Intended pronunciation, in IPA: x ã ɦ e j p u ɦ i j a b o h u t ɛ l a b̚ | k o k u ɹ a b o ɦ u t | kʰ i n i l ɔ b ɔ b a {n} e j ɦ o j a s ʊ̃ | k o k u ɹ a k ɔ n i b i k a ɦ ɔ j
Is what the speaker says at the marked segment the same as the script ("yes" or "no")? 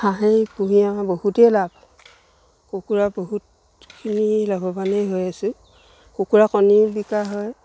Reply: yes